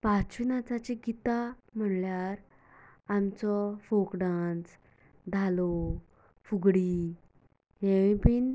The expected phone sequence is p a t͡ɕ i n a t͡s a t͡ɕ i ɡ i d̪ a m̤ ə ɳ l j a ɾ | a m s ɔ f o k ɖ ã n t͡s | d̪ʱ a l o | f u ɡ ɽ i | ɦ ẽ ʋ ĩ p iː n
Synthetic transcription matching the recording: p a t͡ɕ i n a t͡s a t͡ɕ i ɡ i t̪ a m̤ ə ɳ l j a ɾ | a m t͡s ɔ f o k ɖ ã n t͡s | d̪ʱ a l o | f u ɡ ɽ i | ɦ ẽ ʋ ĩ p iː n

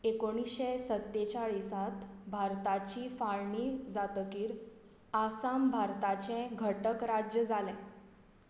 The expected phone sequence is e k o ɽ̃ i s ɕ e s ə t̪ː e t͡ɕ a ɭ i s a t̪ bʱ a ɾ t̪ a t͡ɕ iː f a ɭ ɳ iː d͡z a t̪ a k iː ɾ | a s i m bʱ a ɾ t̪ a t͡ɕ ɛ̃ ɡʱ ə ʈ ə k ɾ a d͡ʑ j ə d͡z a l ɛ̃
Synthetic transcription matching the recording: e k o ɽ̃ i s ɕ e s ə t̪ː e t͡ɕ a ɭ i s a t̪ bʱ a ɾ t̪ a t͡ɕ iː f a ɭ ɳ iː d͡z a t̪ ə k iː ɾ | a s a m bʱ a ɾ t̪ a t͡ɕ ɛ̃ ɡʱ ə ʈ ə k ɾ a d͡ʑ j ə d͡z a l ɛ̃

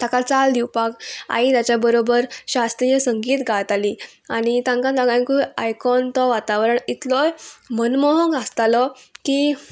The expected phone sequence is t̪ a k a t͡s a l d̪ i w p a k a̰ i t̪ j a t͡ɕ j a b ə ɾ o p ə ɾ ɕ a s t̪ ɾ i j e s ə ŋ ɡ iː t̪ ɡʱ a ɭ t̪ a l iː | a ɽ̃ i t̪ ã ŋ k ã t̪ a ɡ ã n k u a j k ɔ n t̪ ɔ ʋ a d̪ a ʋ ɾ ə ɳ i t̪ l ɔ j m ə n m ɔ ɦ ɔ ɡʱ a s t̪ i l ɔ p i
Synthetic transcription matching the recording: t̪ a k a t͡s a l d̪ i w p a k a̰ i t̪ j a t͡ɕ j a b ə ɾ o b ə ɾ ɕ a s t̪ ɾ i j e s ə ŋ ɡ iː t̪ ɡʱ a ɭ t̪ a l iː | a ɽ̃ i t̪ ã ŋ k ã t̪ a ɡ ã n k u a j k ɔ n t̪ ɔ ʋ a t̪ a ʋ ɾ ə ɳ i t̪ l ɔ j m ə n m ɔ ɦ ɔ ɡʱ a s t̪ a l ɔ k i

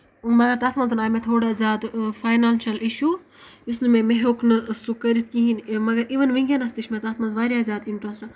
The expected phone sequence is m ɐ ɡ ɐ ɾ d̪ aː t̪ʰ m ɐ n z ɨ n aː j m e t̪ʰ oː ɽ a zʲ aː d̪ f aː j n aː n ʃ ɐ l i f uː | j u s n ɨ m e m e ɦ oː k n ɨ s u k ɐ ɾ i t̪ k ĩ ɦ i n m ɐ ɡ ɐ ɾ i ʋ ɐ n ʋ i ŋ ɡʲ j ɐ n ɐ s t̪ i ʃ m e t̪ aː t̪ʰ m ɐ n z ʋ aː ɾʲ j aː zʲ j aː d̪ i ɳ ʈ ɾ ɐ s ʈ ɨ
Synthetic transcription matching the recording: m ɐ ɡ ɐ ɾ t̪ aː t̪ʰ m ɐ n z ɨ n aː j m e t̪ʰ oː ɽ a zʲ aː d̪ f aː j n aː n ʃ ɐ l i ʃ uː | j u s n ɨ m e m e ɦ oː k n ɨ s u k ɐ ɾ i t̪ k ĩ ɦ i n m ɐ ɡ ɐ ɾ i ʋ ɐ n ʋ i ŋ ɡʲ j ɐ n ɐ s t̪ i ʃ m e t̪ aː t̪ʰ m ɐ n z ʋ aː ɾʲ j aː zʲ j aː d̪ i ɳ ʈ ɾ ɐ s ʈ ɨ

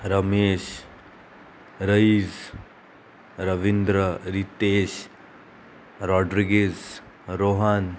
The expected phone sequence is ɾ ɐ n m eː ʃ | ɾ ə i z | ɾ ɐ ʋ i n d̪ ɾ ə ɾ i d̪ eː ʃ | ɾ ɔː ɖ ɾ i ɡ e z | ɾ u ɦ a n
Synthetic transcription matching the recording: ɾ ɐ m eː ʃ | ɾ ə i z | ɾ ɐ ʋ i n d̪ ɾ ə ɾ i t̪ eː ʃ | ɾ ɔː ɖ ɾ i ɡ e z | ɾ o ɦ a n

